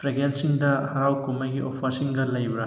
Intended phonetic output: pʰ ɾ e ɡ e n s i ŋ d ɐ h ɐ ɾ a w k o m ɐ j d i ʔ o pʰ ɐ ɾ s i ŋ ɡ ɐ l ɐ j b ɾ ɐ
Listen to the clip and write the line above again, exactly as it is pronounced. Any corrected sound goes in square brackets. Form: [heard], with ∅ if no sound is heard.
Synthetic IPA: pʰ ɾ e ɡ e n s i ŋ d ɐ h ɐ ɾ a w k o m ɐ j [ɡ] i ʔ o pʰ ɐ ɾ s i ŋ ɡ ɐ l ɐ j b ɾ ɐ

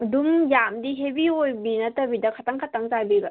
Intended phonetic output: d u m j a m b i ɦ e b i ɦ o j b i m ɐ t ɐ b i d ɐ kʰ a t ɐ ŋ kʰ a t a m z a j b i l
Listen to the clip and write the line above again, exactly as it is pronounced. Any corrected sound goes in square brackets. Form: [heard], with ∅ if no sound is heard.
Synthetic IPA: d u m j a m [d] i ɦ e b i [∅] o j b i [n] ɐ t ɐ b i d ɐ kʰ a t [a] ŋ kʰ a t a [ŋ] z a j b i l

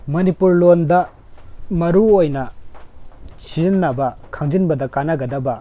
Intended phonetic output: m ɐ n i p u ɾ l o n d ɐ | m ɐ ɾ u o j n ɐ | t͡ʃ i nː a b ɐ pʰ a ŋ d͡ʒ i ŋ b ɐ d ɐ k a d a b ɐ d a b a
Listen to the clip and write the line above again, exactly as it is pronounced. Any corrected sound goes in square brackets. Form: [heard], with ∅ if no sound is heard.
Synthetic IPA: m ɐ n i p u ɾ l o n d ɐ | m ɐ ɾ u o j n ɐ | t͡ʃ i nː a b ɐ [kʰ] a ŋ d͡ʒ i [n] b ɐ d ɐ k a [n] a [ɡ] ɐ d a b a

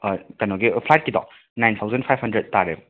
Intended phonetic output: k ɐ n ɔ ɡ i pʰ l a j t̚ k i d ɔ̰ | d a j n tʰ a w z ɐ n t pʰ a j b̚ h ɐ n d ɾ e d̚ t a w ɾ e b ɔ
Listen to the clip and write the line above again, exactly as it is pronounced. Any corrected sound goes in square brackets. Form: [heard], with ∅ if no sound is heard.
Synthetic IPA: k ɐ n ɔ ɡ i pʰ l a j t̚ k i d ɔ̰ | [n] a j n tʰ a w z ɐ n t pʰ a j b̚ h ɐ n d ɾ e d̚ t a [∅] ɾ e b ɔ

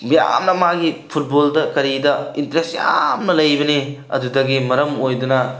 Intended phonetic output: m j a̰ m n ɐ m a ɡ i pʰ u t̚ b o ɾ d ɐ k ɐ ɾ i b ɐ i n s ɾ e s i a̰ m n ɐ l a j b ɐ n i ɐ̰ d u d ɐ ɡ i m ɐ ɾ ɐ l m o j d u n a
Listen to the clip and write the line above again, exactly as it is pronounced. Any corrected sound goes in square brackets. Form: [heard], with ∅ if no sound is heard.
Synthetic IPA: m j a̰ m n ɐ m a ɡ i pʰ u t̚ b o [l] d ɐ k ɐ ɾ i [d] ɐ i n [t] ɾ e s [j] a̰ m n ɐ l [ɐ] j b ɐ n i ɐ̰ d u d ɐ ɡ i m ɐ ɾ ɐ [∅] m o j d u n [ɐ]

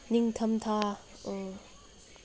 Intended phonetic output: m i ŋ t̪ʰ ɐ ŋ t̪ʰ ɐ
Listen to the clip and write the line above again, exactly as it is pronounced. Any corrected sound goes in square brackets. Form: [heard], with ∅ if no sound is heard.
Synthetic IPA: [n] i ŋ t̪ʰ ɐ [m] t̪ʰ [a]

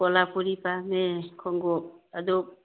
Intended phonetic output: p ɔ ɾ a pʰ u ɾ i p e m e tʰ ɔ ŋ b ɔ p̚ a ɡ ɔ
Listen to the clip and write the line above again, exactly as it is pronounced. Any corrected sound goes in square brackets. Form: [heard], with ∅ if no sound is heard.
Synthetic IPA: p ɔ [l] a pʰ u ɾ i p [a] m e [kʰ] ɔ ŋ [ɡ] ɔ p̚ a [d] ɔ

